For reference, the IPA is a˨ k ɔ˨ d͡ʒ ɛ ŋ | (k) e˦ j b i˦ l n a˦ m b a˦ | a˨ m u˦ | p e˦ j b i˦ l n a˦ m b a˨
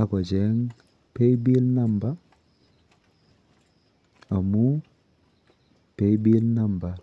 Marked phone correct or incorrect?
incorrect